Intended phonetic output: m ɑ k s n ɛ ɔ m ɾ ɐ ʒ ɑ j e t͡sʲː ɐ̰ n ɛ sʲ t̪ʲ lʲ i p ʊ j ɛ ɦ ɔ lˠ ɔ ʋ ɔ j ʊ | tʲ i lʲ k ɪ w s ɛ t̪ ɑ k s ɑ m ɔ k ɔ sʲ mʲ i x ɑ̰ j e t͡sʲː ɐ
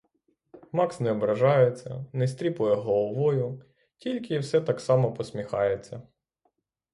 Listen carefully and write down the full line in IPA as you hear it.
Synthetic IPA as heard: m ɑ k s n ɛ ɔ b ɾ ɐ ʒ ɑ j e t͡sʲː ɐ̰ n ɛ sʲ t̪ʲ ɾʲ i p ʊ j ɛ ɦ ɔ lˠ ɔ ʋ ɔ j ʊ | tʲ i lʲ k ɪ w s ɛ t̪ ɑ k s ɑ m ɔ p ɔ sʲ mʲ i x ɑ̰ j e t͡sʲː ɐ